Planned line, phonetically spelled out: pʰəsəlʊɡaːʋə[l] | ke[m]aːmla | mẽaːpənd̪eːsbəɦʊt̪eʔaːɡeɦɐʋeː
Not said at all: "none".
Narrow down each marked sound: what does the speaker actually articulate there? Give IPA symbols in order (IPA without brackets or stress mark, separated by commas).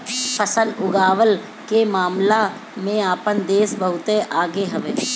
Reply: l, m